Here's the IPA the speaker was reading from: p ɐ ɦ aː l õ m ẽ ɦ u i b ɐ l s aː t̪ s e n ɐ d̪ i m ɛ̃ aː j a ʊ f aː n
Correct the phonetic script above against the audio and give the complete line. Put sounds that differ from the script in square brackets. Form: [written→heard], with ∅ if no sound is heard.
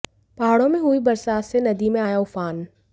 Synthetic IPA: p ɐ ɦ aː [l→ɽ] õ m ẽ ɦ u i b ɐ [l→ɾ] s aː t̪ s e n ɐ d̪ i m [ɛ̃→ẽ] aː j a ʊ f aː n